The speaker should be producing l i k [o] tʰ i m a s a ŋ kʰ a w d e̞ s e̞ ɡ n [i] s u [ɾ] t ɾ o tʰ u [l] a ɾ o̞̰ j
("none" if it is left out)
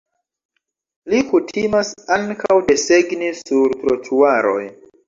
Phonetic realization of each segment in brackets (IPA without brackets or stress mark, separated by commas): u, i, ɾ, none